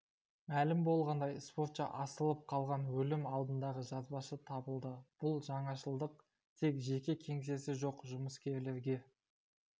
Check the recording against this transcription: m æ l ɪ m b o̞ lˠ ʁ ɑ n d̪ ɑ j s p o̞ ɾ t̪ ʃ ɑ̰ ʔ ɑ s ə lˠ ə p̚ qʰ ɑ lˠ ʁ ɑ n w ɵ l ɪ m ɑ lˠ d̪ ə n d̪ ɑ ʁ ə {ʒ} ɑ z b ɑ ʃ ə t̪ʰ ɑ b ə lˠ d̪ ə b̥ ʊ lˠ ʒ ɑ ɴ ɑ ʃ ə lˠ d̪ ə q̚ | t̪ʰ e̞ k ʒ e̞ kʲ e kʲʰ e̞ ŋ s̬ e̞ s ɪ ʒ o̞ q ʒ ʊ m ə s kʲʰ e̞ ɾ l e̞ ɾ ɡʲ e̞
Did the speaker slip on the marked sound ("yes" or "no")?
no